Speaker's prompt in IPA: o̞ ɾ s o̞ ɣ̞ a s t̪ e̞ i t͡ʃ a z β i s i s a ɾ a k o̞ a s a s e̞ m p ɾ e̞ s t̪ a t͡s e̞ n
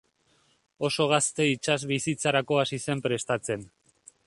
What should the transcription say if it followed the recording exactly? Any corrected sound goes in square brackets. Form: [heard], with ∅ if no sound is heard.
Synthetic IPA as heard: o̞ [∅] s o̞ ɣ̞ a s t̪ e̞ i t͡ʃ a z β i s i [t͡s] a ɾ a k o̞ a s [i] s e̞ m p ɾ e̞ s t̪ a t͡s e̞ n